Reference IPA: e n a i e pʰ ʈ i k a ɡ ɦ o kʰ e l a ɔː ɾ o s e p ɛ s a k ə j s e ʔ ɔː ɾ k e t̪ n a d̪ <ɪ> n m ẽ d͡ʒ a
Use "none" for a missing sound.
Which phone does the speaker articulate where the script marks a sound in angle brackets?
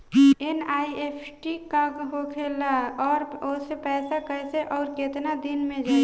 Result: i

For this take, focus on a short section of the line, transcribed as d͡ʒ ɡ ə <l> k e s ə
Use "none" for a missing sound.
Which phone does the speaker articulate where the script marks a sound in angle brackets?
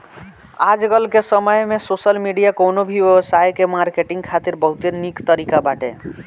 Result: l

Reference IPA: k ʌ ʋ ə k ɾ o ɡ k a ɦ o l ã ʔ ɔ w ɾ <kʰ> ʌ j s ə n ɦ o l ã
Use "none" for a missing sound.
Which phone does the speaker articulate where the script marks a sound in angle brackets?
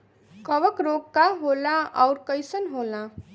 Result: k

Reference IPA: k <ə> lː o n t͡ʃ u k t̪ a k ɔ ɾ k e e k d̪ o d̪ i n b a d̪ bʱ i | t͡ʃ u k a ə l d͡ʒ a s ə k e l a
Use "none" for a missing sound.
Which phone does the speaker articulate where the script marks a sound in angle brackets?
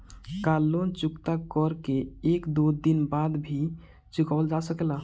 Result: a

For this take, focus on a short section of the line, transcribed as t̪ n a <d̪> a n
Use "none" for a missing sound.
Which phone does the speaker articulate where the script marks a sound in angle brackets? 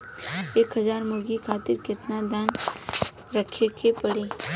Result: d̪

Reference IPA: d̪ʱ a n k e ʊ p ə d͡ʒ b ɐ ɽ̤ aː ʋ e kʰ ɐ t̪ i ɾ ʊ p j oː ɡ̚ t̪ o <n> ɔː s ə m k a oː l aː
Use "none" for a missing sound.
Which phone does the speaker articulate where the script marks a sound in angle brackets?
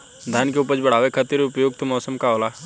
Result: m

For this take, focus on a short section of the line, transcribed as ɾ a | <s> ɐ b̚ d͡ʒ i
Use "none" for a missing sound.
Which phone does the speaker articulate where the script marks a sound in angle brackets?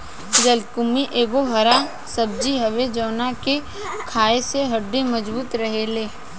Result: s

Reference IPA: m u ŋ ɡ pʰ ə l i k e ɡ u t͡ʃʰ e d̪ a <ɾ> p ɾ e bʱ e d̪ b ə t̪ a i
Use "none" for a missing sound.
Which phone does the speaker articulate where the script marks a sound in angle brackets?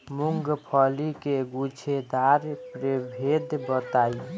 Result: ɾ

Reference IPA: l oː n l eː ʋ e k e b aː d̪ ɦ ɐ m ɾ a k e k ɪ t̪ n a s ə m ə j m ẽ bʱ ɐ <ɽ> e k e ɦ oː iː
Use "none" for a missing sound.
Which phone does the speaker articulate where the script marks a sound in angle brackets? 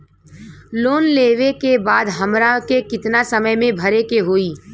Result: ɾ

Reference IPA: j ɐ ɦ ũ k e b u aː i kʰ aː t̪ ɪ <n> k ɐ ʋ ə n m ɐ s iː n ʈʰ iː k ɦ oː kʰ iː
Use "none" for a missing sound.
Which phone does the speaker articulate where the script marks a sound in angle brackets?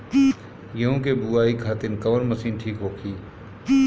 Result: n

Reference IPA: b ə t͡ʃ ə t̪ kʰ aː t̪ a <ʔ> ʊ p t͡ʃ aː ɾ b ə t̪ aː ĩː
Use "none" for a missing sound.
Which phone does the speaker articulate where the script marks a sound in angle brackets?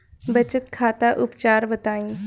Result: ʔ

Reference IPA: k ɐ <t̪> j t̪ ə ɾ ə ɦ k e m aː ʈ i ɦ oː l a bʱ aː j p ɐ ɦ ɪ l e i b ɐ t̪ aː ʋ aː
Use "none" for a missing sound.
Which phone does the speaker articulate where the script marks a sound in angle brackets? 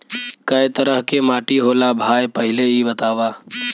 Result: none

